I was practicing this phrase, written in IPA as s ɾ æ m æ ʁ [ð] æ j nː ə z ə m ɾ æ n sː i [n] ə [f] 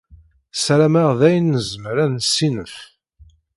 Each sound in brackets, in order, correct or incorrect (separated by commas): correct, correct, correct